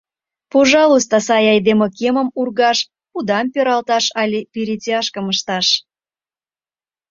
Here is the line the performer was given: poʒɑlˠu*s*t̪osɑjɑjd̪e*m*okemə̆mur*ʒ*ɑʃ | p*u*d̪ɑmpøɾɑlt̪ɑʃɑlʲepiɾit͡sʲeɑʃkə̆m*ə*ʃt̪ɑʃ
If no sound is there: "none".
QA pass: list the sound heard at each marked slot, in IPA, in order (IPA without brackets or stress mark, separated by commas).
s, m, ɣ, u, ə